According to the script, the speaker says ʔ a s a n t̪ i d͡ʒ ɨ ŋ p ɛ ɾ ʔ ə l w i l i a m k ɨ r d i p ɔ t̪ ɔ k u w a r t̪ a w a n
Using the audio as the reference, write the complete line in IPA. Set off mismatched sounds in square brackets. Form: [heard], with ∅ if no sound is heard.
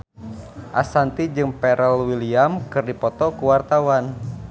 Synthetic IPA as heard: ʔ a s a n t̪ i d͡ʒ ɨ ŋ p ɛ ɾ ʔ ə l w i l i a m k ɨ r d i p ɔ t̪ ɔ k u w a r t̪ a w a n